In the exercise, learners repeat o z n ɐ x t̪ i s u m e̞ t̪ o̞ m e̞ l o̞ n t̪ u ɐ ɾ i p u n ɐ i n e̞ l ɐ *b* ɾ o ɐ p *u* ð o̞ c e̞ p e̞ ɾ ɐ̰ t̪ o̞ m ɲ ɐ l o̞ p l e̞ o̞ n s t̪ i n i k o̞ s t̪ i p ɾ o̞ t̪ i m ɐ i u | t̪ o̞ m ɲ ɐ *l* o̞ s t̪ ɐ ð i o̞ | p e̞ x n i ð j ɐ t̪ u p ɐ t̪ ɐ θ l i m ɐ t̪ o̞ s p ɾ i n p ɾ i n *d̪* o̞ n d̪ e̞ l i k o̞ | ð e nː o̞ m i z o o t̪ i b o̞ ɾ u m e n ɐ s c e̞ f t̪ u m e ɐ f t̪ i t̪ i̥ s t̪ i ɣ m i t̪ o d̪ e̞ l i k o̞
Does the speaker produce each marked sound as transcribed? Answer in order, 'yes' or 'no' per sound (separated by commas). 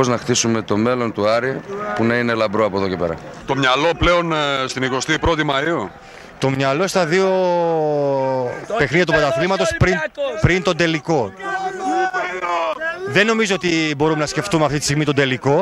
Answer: yes, no, yes, no